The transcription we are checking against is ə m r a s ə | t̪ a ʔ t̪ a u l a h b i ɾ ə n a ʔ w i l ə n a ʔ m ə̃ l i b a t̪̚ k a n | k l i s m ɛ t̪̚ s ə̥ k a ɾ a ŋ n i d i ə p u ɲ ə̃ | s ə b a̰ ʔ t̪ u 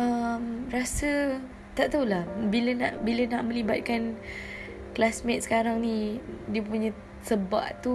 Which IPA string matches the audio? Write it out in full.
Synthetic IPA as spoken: ə m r a s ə | t̪ a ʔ t̪ a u l a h b i l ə n a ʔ b i l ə n a ʔ m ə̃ l i b a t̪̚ k a n | k l a s m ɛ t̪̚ s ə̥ k a ɾ a ŋ n i d i ə p u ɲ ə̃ | s ə b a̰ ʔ t̪ u